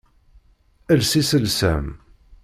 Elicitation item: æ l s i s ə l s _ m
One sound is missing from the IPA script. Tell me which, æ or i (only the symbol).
æ